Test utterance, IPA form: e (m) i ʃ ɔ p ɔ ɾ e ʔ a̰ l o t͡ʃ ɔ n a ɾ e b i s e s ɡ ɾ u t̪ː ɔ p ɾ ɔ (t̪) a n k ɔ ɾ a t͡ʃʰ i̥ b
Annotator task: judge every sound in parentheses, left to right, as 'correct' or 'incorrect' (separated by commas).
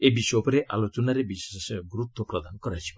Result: incorrect, incorrect